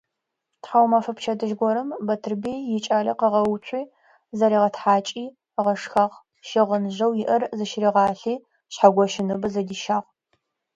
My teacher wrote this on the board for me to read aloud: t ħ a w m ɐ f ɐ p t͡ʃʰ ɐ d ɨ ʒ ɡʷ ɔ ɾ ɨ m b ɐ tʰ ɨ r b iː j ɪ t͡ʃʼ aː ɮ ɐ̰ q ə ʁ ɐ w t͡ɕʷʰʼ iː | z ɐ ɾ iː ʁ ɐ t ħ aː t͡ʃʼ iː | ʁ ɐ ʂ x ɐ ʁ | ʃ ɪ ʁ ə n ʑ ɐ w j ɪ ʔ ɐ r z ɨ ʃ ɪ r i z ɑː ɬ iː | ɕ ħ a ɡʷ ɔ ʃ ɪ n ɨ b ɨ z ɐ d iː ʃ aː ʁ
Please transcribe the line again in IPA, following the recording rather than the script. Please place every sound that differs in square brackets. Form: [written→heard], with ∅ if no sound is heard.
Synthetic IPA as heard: t ħ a w m ɐ f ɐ p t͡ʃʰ ɐ d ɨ ʒ ɡʷ ɔ ɾ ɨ m b ɐ tʰ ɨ r b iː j ɪ t͡ʃʼ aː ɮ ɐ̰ q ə ʁ ɐ w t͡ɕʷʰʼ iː | z ɐ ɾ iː ʁ ɐ t ħ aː t͡ʃʼ iː | ʁ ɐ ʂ x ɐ ʁ | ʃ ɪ ʁ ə n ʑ ɐ w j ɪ ʔ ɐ r z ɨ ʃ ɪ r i [z→ʁ] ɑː ɬ iː | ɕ ħ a ɡʷ ɔ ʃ ɪ n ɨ b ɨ z ɐ d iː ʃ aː ʁ